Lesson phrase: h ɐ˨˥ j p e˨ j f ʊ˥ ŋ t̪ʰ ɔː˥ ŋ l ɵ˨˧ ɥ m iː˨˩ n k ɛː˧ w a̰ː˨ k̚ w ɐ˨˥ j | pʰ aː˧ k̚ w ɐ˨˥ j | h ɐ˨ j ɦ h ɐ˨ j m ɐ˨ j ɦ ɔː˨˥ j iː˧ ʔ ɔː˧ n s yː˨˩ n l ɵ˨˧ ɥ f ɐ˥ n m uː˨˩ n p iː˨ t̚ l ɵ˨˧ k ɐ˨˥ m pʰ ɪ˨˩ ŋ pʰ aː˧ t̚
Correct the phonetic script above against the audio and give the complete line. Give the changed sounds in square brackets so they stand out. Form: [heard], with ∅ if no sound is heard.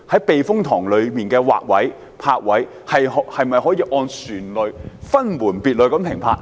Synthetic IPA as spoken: h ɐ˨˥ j p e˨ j f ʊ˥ ŋ t̪ʰ [ɔː˨˩] ŋ l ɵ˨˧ ɥ m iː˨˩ n k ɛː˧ w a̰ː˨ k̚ w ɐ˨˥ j | pʰ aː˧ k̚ w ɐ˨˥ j | h ɐ˨ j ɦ h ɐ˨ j m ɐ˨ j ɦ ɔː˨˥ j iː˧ ʔ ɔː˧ n s yː˨˩ n l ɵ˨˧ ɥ f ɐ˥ n m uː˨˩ n p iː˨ t̚ l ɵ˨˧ k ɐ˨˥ m pʰ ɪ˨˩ ŋ pʰ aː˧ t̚

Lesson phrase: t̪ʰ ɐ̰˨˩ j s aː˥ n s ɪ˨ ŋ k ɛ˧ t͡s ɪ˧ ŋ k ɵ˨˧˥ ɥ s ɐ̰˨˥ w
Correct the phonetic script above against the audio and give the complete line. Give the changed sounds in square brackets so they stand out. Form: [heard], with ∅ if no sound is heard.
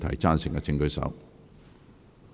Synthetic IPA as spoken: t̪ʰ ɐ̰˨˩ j [t͡s] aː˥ n s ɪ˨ ŋ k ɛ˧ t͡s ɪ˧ ŋ k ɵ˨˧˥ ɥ s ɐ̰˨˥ w

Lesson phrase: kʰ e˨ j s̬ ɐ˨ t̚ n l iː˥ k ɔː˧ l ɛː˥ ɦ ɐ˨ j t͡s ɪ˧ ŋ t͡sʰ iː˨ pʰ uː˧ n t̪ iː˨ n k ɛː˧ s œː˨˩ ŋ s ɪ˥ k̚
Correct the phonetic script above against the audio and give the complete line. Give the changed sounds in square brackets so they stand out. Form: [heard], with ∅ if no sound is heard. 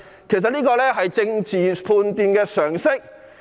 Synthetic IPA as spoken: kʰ e˨ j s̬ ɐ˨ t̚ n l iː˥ k ɔː˧ l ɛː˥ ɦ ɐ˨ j t͡s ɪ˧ ŋ [t͡s] iː˨ pʰ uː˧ n t̪ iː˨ n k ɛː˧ s œː˨˩ ŋ s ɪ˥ k̚

